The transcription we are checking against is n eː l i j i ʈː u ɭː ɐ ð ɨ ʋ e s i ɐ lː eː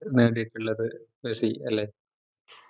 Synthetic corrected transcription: n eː ɽ i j i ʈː u ɭː ɐ ð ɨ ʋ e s i ɐ lː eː